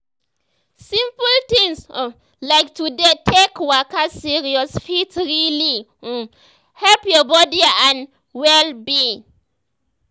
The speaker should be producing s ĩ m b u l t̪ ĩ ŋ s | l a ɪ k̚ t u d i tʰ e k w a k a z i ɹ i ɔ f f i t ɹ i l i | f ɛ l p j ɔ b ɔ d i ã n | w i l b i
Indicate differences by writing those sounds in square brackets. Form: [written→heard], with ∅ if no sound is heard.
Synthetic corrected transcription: s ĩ m [b→p] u l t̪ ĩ ŋ s | l a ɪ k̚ t u d [i→e] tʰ e k w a k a [z→s] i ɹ i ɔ [f→s] f i t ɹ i l i | [f→h] ɛ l p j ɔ b ɔ d i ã n | w [i→ɛ] l b i